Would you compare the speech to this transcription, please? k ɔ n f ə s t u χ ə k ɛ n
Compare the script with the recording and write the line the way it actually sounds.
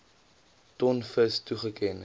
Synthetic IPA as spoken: t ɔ n f ə s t u χ ə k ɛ n